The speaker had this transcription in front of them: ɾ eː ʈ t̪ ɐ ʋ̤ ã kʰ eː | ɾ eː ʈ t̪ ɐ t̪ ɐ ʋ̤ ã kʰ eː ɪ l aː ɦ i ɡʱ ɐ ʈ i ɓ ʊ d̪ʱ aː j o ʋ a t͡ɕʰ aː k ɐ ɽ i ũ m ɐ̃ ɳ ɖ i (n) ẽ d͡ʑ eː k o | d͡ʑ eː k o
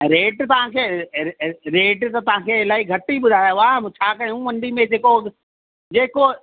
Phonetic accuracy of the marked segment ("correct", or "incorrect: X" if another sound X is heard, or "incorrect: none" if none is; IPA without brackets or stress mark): incorrect: m